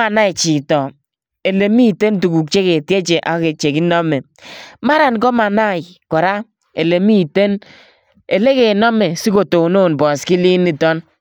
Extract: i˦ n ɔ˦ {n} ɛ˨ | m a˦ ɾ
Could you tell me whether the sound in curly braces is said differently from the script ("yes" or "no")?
yes